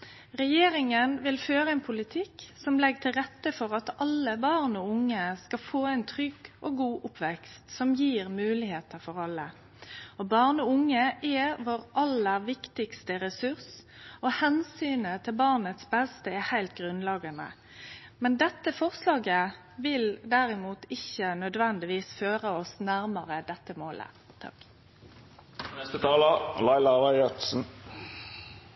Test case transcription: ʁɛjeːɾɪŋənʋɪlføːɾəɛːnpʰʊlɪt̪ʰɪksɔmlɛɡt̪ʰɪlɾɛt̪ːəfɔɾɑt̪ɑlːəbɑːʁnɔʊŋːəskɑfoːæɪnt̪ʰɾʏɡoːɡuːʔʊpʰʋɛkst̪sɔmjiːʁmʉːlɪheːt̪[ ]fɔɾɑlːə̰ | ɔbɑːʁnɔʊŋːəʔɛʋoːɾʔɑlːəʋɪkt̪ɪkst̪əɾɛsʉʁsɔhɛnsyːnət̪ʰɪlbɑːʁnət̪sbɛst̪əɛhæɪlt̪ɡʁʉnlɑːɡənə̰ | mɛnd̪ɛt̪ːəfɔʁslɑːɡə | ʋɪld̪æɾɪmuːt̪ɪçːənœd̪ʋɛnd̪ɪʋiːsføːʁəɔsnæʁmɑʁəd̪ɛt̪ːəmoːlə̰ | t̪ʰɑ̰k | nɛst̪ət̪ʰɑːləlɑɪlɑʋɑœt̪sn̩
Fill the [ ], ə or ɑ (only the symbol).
ə